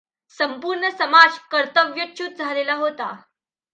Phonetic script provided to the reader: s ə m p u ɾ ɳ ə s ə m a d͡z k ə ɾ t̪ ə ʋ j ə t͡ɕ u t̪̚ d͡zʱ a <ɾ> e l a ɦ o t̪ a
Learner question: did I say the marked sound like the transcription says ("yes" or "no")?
no